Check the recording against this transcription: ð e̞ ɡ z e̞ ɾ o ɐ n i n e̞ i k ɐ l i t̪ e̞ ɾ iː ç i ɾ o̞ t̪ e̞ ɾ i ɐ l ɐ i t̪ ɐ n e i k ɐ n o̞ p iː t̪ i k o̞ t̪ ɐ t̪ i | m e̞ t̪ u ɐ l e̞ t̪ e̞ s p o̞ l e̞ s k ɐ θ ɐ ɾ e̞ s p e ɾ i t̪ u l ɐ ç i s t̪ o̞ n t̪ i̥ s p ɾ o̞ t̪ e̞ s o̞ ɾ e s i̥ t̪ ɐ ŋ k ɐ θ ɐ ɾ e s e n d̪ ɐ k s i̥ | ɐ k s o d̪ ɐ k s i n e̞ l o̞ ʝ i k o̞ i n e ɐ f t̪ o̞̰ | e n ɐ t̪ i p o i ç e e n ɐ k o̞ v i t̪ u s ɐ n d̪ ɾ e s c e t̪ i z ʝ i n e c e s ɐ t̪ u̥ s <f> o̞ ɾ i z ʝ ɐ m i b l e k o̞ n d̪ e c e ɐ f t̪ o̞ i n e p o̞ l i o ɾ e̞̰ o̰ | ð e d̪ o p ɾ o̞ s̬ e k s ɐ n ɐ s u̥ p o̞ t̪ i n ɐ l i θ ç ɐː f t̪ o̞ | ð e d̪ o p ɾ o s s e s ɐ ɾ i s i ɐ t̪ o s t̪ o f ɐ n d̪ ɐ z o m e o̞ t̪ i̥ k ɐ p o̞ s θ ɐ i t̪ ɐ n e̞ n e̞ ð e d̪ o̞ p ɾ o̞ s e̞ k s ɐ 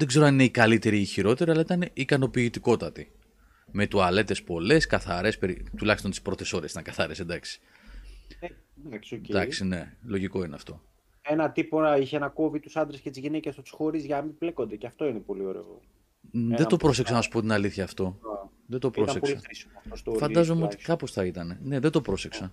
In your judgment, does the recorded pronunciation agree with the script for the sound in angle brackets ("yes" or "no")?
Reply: no